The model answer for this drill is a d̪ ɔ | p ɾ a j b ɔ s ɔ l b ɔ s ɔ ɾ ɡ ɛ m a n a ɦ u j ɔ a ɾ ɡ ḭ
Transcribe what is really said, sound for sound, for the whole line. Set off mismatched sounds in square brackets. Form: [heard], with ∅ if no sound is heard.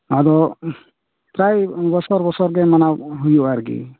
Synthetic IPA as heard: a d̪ ɔ | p ɾ a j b ɔ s ɔ [ɾ] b ɔ s ɔ ɾ ɡ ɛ m a n a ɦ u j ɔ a ɾ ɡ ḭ